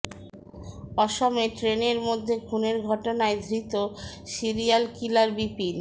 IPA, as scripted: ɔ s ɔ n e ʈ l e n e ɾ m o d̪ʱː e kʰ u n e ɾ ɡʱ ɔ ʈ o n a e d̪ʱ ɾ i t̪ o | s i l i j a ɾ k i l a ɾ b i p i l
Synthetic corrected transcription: ɔ ʃ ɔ m e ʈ ɾ e n e ɾ m o d̪ʱː e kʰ u n e ɾ ɡʱ ɔ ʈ o n a e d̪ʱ ɾ i t̪ o | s i ɾ i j a l k i l a ɾ b i p i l